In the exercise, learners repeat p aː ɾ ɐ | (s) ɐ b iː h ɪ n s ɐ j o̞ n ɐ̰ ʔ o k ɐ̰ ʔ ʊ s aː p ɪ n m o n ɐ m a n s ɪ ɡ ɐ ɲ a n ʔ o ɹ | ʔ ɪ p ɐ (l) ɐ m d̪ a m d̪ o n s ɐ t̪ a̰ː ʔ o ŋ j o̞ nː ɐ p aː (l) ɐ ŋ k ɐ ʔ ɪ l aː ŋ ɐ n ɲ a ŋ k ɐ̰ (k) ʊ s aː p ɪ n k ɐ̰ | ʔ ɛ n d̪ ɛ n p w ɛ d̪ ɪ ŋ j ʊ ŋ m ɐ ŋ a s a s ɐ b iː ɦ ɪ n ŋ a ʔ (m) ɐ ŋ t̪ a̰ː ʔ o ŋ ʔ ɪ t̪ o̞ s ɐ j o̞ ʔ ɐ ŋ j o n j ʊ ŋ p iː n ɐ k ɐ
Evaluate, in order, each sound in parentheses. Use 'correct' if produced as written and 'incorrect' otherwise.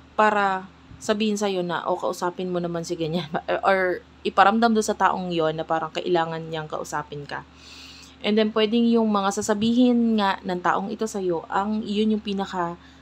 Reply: correct, incorrect, incorrect, incorrect, incorrect

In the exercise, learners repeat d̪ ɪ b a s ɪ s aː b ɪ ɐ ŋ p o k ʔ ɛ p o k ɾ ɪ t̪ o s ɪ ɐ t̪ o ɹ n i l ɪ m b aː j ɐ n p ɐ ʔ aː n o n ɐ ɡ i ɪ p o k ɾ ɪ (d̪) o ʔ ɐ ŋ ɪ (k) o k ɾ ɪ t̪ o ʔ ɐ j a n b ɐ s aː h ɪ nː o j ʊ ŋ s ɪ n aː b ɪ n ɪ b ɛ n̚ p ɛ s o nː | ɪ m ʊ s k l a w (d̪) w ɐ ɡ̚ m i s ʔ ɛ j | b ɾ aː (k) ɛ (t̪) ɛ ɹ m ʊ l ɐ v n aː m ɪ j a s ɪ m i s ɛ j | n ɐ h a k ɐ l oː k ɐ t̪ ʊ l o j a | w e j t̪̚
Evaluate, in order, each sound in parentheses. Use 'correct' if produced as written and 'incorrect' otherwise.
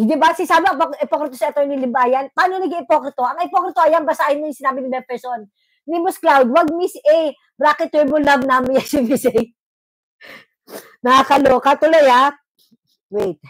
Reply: incorrect, incorrect, correct, correct, correct

